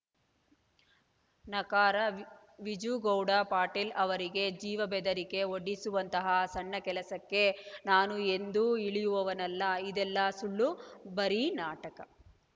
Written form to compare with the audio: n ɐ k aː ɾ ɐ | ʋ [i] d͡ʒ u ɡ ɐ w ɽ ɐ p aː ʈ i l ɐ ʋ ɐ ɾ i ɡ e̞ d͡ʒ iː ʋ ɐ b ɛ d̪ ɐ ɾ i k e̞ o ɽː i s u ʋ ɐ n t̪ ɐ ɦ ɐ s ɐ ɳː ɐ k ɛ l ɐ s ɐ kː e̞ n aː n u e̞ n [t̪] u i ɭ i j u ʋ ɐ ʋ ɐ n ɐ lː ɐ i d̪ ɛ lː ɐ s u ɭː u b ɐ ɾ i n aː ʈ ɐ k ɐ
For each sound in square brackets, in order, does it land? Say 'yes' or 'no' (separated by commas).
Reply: yes, no